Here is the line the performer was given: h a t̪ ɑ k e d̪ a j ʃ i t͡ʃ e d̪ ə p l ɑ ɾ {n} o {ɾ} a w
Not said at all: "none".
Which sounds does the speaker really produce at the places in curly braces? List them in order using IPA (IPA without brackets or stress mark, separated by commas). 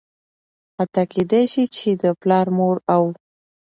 m, ɾ